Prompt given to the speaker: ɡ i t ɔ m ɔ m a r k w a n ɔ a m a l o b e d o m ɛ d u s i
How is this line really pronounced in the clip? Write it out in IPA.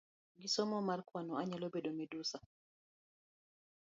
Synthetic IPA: ɡ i s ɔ m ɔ m a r k w a n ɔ a ɲ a l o b e d o m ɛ d u s a